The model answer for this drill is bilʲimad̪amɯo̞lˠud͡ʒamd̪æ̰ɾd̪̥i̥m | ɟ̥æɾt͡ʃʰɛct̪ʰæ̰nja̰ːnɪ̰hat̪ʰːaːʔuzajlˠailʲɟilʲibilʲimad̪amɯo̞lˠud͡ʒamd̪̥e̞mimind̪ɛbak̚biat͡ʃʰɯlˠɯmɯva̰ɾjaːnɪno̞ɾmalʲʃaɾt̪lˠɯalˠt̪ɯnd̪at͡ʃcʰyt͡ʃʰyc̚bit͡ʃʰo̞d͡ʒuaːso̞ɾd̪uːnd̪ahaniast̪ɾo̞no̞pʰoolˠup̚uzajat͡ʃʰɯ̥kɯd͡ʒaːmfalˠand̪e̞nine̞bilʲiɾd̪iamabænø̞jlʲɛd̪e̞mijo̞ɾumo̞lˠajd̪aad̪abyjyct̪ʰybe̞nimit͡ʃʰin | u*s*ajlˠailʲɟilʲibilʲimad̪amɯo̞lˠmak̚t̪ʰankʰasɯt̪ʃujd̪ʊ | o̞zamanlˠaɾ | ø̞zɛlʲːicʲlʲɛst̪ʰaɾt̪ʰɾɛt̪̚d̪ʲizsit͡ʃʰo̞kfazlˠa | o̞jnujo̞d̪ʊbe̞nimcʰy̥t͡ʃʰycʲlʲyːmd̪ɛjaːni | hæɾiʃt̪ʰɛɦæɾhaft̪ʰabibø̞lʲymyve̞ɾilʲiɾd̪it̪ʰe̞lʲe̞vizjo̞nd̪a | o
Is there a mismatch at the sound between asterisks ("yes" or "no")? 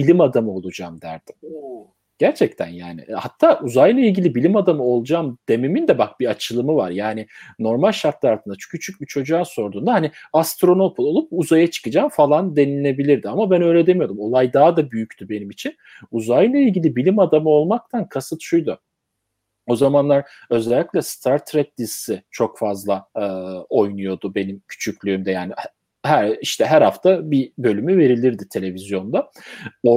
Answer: yes